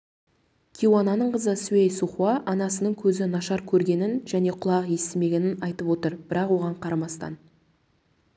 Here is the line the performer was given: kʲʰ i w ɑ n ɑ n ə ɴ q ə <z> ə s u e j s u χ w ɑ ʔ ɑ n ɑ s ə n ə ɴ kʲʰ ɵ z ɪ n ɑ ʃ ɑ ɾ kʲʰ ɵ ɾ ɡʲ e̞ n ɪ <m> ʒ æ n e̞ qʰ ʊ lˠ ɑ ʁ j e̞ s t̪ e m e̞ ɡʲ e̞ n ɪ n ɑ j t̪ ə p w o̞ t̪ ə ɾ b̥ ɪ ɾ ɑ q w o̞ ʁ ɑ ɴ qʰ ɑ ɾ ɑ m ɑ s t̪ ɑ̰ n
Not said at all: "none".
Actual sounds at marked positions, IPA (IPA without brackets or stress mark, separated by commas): z, n